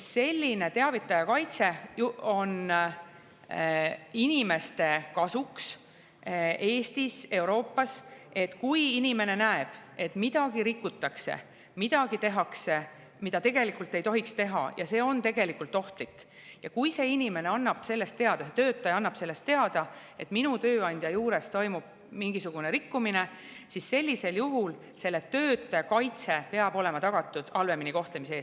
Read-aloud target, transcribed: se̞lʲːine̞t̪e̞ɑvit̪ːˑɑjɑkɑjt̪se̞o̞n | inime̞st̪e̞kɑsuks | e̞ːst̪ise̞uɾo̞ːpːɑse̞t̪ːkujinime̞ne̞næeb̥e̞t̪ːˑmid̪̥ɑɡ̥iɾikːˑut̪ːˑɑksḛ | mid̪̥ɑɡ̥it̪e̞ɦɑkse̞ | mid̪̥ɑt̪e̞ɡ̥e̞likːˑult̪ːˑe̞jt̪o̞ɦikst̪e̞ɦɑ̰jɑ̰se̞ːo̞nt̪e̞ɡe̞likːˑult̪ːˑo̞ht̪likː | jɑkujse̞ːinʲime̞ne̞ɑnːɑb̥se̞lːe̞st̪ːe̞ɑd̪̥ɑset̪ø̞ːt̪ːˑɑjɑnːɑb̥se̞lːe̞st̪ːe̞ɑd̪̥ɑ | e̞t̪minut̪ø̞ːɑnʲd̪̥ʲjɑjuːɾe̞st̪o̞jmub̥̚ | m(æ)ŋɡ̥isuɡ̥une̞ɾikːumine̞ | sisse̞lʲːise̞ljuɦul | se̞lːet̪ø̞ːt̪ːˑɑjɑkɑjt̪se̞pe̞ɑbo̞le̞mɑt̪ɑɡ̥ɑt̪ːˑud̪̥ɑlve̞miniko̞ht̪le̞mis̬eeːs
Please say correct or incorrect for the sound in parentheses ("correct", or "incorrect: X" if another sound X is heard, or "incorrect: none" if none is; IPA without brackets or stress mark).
incorrect: i